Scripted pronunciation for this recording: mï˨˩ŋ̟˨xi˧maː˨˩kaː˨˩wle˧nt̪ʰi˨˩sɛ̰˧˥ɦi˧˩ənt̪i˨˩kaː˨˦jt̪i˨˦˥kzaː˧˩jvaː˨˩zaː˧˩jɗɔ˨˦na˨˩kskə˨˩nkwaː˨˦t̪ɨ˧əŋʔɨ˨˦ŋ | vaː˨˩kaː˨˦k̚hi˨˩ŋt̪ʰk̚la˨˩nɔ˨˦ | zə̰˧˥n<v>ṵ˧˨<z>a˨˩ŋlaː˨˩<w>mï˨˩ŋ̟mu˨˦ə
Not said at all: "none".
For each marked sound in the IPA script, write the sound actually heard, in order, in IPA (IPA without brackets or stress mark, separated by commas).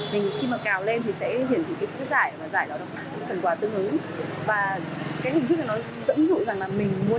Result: z, z, none